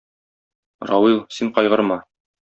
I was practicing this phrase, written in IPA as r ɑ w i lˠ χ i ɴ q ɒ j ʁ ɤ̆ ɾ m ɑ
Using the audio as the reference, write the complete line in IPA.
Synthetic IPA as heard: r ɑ w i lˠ s i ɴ q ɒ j ʁ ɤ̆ ɾ m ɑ